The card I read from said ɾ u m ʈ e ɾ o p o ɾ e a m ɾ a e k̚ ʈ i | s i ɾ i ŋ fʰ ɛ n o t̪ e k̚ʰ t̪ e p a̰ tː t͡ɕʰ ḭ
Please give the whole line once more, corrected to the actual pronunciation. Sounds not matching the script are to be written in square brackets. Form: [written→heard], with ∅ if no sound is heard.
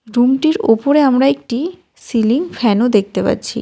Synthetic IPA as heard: ɾ u m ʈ [e→i] ɾ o p o ɾ e a m ɾ a e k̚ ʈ i | s i [ɾ→l] i ŋ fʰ ɛ n o [t̪→d̪] e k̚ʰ t̪ e p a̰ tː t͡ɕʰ ḭ